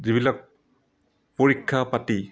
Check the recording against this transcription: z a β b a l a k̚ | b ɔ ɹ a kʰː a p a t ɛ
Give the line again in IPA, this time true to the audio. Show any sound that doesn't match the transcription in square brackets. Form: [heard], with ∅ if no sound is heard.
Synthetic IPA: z [i] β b [i] l a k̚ | [p] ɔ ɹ [i] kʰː a p a t [i]